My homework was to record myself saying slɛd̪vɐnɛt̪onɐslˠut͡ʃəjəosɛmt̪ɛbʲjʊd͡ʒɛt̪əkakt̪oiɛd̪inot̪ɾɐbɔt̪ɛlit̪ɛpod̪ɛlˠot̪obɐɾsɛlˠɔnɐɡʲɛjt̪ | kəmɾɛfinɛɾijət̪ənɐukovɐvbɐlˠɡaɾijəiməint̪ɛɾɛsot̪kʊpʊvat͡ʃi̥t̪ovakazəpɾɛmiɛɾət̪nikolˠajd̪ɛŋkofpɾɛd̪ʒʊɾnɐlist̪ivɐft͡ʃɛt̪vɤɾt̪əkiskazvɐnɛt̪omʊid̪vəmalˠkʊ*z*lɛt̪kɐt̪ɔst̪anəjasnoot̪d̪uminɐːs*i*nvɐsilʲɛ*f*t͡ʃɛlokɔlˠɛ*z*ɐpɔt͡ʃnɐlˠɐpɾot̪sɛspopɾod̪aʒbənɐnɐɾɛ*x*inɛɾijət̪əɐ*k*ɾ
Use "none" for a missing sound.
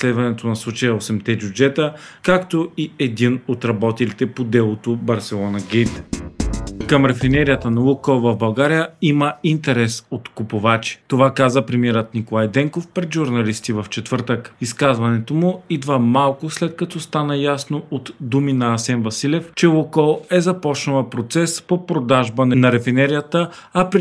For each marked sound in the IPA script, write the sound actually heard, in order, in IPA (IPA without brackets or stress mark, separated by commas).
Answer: s, ɛ, f, z, f, p